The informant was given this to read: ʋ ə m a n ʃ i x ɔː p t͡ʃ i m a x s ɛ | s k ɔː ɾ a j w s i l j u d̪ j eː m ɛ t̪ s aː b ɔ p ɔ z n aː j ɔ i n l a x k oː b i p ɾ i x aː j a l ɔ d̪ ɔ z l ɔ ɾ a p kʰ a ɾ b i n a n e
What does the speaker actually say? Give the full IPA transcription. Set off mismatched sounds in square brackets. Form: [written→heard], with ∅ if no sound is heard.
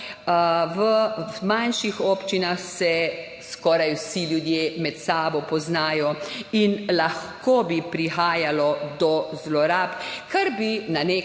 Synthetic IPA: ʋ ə m a n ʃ i x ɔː p t͡ʃ i [m→n] a x s ɛ | s k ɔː ɾ a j w s i l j u d̪ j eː m ɛ t̪ s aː b ɔ p ɔ z n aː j ɔ i n l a x k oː b i p ɾ i x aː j a l ɔ d̪ ɔ z l ɔ ɾ a p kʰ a ɾ b i n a n e